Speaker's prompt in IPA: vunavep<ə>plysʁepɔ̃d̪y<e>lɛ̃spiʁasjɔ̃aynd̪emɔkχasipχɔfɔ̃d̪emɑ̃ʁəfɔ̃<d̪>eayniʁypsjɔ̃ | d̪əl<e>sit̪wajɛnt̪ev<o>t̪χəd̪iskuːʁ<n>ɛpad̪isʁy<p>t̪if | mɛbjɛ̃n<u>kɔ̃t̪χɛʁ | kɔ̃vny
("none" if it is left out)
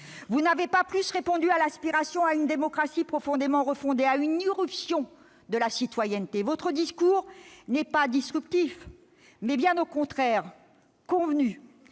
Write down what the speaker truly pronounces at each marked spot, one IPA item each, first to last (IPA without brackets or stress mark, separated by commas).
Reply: a, a, d̪, a, ɔ, n, p, o